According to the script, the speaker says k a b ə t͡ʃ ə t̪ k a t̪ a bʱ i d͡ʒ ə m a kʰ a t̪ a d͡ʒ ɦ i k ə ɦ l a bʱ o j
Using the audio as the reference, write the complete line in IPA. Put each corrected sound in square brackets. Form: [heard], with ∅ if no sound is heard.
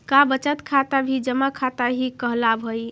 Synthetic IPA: k a b ə t͡ʃ ə t̪ [kʰ] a t̪ a bʱ i d͡ʒ ə m a kʰ a t̪ a [∅] ɦ i k ə ɦ l a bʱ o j